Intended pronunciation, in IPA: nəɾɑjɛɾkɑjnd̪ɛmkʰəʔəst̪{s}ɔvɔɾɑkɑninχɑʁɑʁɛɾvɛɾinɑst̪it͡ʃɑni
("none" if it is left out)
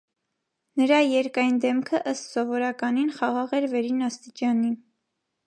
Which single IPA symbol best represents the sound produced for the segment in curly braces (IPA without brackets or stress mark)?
s